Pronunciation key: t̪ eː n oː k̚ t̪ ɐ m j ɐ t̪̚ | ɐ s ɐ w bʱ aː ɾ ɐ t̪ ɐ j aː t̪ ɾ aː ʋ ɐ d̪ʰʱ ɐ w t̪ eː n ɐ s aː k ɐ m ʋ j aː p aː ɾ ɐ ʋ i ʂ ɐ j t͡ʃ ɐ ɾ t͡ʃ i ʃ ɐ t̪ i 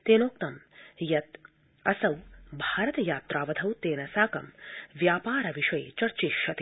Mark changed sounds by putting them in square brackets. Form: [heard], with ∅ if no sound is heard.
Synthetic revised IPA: t̪ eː n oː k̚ t̪ ɐ m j ɐ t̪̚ | ɐ s ɐ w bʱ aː ɾ ɐ t̪ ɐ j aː t̪ ɾ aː ʋ ɐ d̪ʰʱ ɐ w t̪ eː n ɐ s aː k ɐ m ʋ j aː p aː ɾ ɐ ʋ i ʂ ɐ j t͡ʃ ɐ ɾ t͡ʃ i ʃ ɐ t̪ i